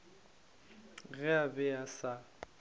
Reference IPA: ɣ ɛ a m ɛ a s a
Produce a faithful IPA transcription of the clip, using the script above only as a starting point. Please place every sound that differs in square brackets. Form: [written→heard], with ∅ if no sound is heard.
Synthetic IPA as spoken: ɣ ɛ a [m→b] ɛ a s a